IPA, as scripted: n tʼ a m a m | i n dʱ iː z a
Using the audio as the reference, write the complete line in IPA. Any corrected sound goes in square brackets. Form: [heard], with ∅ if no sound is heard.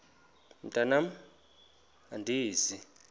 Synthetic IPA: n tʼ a [n] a m | [a] n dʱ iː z [i]